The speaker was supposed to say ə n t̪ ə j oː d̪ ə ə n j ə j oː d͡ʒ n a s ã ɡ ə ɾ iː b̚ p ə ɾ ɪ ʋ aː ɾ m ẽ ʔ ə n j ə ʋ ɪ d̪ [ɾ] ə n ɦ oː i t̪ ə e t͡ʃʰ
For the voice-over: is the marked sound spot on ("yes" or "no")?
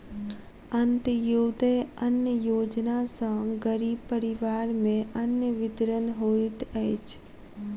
yes